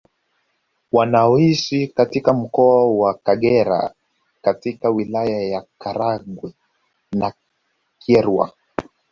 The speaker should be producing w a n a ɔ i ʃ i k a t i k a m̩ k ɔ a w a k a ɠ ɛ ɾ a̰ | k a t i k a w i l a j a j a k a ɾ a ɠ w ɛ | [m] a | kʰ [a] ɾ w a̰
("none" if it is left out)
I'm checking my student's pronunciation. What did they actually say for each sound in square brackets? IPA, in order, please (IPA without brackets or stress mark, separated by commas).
n, ɛ